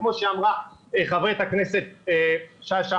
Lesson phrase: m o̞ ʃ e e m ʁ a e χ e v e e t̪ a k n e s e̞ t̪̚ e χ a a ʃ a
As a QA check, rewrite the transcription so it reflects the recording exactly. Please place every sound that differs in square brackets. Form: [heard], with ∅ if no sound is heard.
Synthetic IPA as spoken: m o̞ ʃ e [a] m ʁ a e χ [a] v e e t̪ a k n e s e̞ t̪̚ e [ʃ] a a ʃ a